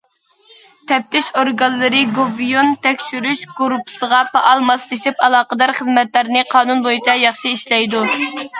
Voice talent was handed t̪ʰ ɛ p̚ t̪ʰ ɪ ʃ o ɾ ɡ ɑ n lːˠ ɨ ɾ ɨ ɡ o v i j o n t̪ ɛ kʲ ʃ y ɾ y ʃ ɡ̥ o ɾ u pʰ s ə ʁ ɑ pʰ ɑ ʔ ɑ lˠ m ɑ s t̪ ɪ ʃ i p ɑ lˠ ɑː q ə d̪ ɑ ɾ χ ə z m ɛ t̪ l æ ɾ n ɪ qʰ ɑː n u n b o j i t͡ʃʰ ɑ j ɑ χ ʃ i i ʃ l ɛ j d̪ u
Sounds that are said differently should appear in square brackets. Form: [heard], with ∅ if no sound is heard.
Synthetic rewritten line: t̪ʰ ɛ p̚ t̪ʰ ɪ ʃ o ɾ ɡ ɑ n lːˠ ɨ ɾ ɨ ɡ o v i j o n t̪ ɛ kʲ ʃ y ɾ y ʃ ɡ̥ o ɾ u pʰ s ə ʁ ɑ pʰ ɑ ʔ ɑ lˠ m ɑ s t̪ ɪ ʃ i p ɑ lˠ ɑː q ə d̪ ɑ ɾ χ ə z m ɛ t̪ l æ ɾ n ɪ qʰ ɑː n u n b o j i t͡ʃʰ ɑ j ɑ χ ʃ i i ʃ l ɛ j d̪ u